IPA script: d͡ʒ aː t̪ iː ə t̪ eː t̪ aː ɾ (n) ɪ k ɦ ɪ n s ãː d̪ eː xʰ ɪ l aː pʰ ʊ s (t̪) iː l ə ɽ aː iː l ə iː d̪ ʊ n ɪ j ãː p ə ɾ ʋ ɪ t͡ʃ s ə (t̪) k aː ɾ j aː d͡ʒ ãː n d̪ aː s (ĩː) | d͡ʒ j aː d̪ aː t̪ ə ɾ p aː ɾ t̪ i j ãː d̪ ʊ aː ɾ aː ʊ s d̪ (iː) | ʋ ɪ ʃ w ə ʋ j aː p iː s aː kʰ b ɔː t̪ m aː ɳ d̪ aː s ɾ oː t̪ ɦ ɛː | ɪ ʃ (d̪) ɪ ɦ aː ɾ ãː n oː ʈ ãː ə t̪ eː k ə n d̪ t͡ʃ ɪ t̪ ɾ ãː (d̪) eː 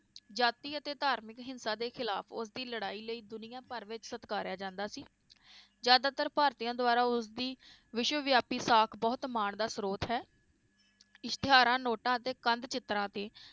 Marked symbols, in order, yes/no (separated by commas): no, no, yes, no, yes, no, no